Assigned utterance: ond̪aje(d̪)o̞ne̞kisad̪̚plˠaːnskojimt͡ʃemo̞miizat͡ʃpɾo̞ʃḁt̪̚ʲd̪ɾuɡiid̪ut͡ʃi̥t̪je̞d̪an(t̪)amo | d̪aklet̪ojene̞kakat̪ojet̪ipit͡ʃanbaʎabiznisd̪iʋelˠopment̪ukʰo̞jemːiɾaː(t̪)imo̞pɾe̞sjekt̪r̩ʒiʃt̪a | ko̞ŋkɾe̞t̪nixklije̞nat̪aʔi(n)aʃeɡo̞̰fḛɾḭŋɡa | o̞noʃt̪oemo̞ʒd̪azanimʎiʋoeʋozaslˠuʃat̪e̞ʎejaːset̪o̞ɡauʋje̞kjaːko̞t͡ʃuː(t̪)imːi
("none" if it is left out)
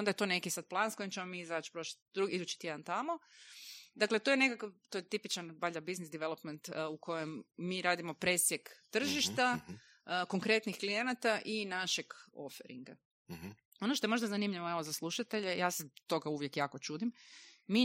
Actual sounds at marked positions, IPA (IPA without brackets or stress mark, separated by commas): t̪, t̪, d̪, n, d̪